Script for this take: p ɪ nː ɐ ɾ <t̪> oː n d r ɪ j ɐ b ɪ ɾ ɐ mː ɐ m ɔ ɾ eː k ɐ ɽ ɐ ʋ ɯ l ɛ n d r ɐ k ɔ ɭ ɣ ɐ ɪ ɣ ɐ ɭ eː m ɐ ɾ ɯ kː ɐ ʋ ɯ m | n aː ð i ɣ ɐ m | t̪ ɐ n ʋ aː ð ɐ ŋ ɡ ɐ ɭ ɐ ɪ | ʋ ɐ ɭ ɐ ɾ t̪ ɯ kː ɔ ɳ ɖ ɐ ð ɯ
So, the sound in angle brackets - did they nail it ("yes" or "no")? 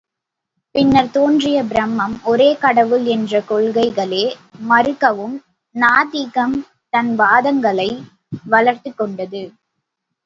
yes